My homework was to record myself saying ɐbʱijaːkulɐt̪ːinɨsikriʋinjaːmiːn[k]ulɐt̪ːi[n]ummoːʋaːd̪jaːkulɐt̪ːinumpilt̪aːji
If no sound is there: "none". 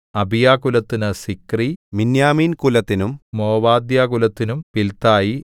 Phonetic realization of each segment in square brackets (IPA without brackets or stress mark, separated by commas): k, n